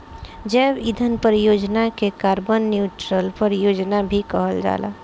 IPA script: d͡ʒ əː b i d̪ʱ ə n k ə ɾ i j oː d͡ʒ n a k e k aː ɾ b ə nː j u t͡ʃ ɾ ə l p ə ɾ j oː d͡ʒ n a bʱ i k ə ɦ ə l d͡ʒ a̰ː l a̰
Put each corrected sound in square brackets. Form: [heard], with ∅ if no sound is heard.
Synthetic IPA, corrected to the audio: d͡ʒ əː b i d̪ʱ ə n [p] ə ɾ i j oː d͡ʒ n a k e k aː ɾ b ə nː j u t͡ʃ ɾ ə l p ə ɾ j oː d͡ʒ n a bʱ i k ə ɦ ə l d͡ʒ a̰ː l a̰